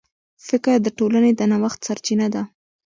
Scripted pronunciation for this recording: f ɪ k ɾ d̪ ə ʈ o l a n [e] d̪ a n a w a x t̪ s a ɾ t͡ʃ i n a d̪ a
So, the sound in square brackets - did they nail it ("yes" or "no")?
yes